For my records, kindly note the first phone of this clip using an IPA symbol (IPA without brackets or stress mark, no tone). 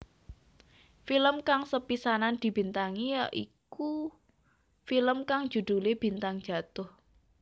f